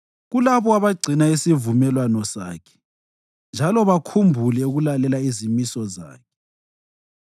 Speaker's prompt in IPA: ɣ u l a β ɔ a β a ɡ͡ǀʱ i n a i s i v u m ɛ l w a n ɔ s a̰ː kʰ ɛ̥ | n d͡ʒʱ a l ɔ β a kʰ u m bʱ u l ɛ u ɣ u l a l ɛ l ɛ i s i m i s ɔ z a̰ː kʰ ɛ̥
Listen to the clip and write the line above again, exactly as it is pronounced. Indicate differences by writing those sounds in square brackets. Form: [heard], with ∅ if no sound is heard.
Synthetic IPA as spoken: ɣ u l a β ɔ a β a ɡ͡ǀʱ i n a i s i v u m ɛ l w a n ɔ s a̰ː kʰ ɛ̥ | n d͡ʒʱ a l ɔ β a kʰ u m bʱ u l ɛ u ɣ u l a l ɛ l [a] i [z] i m i s ɔ z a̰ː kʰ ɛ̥